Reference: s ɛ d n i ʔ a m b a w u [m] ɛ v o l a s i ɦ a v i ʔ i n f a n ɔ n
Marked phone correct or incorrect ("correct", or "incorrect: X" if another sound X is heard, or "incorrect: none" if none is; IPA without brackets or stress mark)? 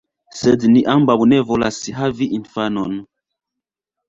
incorrect: n